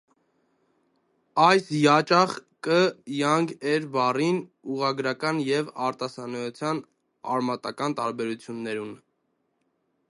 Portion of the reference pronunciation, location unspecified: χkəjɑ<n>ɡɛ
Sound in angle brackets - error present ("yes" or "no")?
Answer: yes